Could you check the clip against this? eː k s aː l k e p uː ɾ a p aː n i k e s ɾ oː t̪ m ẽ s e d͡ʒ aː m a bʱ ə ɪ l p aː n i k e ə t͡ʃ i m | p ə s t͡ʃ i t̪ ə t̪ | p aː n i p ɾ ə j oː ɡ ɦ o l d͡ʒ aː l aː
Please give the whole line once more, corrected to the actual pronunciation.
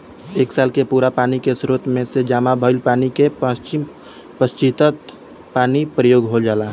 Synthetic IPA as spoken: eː k s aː l k e p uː ɾ a p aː n i k e s ɾ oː t̪ m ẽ s e d͡ʒ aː m a bʱ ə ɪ l p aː n i k e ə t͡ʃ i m | p ə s t͡ʃ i t̪ ə t̪ | p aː n i p ɾ ə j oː ɡ ɦ o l d͡ʒ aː l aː